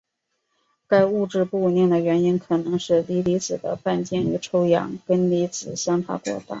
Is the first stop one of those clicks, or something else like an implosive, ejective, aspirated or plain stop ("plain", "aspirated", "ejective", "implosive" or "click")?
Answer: plain